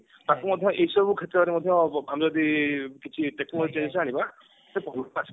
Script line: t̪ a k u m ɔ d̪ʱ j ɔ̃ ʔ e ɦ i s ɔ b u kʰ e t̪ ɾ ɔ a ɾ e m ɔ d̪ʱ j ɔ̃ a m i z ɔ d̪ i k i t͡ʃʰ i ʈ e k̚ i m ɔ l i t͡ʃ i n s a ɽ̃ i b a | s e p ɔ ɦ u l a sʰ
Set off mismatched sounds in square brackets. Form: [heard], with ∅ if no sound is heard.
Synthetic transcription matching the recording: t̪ a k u m ɔ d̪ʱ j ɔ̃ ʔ e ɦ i s ɔ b u kʰ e t̪ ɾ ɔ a ɾ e m ɔ d̪ʱ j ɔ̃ a m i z ɔ d̪ i k i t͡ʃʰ i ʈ e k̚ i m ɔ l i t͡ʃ [e] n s a ɽ̃ i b a | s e p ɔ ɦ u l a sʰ